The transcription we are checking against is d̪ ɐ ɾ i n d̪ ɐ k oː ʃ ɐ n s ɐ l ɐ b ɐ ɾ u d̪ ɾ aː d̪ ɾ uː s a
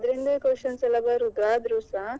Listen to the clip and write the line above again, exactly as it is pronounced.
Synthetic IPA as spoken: d̪ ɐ ɾ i n d̪ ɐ k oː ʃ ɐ n s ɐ l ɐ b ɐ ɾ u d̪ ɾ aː d̪ ɾ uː s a

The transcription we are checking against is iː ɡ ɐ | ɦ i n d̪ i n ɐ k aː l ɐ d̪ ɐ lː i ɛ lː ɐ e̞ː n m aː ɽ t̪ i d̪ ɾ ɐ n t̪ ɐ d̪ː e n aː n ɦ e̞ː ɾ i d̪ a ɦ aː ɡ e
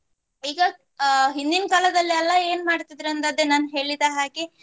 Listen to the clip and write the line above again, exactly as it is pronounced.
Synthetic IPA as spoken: iː ɡ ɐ | ɦ i n d̪ i n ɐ k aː l ɐ d̪ ɐ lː i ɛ lː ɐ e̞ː n m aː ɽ t̪ i d̪ ɾ ɐ n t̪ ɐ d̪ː e n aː n ɦ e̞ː ɭ i d̪ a ɦ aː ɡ e

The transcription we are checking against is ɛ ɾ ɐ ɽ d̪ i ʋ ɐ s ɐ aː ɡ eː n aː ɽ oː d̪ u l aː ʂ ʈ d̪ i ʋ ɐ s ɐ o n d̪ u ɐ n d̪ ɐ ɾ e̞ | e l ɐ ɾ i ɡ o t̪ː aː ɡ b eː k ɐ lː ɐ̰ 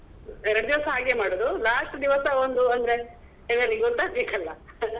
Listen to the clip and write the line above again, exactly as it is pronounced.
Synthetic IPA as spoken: ɛ ɾ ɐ ɽ d̪ i ʋ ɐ s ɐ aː ɡ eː m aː ɽ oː d̪ u l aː ʂ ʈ d̪ i ʋ ɐ s ɐ o n d̪ u ɐ n d̪ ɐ ɾ e̞ | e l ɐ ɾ i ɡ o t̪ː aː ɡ b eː k ɐ lː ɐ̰

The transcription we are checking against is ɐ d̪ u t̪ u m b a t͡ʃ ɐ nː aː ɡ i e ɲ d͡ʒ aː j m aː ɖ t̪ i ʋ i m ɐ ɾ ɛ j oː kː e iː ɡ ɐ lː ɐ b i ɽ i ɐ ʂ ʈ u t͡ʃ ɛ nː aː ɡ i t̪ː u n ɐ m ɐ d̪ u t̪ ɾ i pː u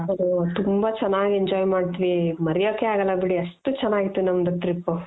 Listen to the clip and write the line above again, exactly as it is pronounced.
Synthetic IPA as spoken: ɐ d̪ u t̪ u m b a t͡ʃ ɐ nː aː ɡ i e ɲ d͡ʒ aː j m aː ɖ t̪ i ʋ i m ɐ ɾ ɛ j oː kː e aː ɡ ɐ lː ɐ b i ɽ i ɐ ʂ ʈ u t͡ʃ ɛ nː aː ɡ i t̪ː u n ɐ m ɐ d̪ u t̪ ɾ i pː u

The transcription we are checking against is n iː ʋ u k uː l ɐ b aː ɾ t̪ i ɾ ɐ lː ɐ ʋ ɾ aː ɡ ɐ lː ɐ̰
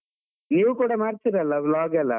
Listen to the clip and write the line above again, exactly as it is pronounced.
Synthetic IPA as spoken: n iː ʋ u k uː ɽ ɐ m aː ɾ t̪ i ɾ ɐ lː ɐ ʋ l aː ɡ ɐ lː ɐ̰

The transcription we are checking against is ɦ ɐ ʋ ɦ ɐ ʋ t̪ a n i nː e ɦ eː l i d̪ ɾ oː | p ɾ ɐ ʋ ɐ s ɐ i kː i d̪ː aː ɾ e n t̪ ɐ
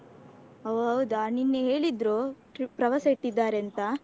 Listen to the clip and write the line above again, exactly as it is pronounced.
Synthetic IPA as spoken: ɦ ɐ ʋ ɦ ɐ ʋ d̪ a n i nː e ɦ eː ɭ i d̪ ɾ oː | p ɾ ɐ ʋ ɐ s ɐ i ʈː i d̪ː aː ɾ e n t̪ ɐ

